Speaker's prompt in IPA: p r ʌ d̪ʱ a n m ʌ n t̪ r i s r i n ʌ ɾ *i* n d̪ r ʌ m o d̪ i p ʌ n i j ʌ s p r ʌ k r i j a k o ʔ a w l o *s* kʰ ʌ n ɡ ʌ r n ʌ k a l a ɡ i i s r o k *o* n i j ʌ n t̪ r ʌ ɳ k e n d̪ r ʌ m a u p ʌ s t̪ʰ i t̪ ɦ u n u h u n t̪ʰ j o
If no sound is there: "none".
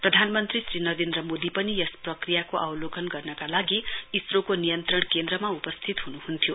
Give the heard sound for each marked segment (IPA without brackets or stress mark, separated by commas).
e, none, o